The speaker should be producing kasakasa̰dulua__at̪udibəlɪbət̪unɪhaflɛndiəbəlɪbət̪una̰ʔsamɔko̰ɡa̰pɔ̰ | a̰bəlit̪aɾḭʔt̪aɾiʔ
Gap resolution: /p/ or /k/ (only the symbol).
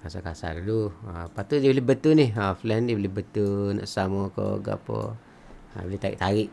p